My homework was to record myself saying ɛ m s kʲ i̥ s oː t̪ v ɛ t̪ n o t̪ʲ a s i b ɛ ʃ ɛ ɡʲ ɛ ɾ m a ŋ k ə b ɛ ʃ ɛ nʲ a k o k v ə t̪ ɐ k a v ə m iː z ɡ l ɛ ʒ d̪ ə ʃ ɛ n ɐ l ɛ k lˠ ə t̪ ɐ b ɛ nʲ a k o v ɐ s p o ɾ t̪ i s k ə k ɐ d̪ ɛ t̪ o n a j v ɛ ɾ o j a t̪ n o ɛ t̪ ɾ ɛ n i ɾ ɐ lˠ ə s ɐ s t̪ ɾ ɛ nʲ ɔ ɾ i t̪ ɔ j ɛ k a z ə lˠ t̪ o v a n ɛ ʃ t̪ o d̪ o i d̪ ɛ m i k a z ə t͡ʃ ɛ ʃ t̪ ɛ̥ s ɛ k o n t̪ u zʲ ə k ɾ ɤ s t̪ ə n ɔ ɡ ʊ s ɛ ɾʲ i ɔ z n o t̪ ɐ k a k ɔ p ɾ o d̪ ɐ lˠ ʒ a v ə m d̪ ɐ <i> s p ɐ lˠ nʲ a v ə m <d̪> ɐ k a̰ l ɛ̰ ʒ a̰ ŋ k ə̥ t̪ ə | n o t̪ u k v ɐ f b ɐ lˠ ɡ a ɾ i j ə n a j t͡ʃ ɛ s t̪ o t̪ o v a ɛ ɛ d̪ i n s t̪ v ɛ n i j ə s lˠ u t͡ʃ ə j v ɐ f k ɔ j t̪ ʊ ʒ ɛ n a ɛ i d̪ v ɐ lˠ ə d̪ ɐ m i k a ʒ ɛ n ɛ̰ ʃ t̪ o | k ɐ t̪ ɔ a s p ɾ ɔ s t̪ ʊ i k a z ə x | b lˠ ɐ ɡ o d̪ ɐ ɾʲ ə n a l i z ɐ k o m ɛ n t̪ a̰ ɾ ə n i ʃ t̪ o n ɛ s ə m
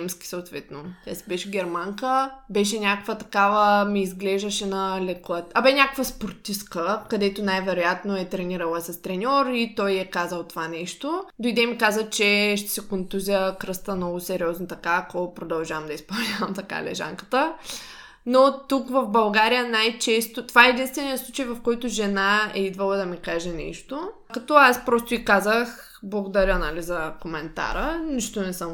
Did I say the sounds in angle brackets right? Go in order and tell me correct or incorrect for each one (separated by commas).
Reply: correct, incorrect